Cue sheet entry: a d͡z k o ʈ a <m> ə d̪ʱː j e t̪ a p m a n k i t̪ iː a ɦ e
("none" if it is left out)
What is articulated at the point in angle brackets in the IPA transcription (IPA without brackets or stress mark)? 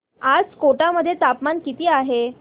m